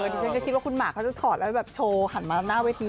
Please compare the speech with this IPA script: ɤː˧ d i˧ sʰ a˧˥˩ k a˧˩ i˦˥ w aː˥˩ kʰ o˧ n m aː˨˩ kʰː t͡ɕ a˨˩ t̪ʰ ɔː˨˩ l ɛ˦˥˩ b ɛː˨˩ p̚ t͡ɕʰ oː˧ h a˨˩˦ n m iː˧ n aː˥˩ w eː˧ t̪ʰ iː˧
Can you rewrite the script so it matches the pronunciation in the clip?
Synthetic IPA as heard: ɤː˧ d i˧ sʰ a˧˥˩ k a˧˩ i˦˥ w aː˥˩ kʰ u˧ n m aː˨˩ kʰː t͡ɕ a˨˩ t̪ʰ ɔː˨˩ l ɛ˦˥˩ b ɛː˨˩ p̚ t͡ɕʰ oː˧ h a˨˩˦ n m aː˧ n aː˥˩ w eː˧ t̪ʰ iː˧